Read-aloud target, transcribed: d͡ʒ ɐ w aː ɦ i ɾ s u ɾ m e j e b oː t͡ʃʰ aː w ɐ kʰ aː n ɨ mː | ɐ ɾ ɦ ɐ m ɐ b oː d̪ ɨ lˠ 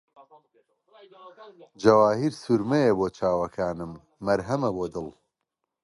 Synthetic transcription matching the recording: d͡ʒ ɐ w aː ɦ i ɾ s u ɾ m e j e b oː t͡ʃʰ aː w ɐ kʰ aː n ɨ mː | ɐ ɾ ɦ ɐ m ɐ b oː d̪ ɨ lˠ

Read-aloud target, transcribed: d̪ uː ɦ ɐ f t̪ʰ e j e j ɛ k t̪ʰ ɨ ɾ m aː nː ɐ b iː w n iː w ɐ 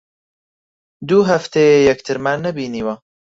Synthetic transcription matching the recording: d̪ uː ɦ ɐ f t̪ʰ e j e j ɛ k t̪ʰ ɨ ɾ m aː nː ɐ b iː n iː w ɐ

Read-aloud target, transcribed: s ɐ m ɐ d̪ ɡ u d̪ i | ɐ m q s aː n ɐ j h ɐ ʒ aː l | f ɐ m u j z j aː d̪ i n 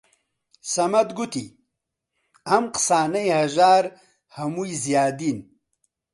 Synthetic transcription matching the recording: s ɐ m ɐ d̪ ɡ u t̪ i | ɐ m q s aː n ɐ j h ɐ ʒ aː ɾ | h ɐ m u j z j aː d̪ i n

